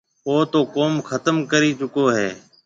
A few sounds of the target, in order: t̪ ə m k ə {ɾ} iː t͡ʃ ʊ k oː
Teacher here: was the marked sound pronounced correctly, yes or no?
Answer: yes